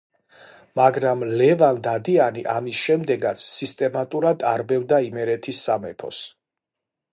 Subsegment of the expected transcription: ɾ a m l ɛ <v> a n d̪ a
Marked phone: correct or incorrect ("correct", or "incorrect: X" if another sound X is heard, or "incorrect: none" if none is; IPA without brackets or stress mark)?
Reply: correct